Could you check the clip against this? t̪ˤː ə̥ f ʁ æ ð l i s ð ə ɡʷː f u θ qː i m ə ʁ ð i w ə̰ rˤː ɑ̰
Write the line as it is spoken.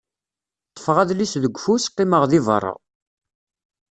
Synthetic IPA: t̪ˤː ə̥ f ʁ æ ð l i s ð ə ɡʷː f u s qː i m ə ʁ ð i v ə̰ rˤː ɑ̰

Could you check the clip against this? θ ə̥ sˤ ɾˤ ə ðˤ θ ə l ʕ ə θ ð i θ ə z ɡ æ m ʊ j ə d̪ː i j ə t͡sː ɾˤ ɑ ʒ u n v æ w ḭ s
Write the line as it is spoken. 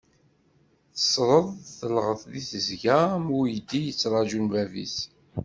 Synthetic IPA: θ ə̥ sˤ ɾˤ ə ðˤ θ ə l ʁ ə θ ð i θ ə z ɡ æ m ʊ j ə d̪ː i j ə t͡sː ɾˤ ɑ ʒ u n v æ v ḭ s

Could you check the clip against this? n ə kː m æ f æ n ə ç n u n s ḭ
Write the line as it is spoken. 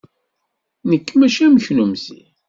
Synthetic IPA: n ə kː m æ ʃ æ m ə ç n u m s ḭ

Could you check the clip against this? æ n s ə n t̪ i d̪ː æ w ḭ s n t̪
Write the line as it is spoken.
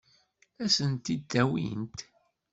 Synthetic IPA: æ s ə n t̪ i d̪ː æ w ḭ n t̪

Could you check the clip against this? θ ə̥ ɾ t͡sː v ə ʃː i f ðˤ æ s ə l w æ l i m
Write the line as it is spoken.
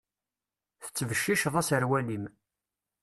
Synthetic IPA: θ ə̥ t͡sː v ə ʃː i ʃ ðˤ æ s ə ɾ w æ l i m

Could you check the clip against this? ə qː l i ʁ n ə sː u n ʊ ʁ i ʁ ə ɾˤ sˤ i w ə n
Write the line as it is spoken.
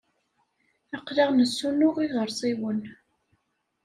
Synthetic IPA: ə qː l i ʁ n ə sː u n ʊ ʁ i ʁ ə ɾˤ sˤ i w ə n

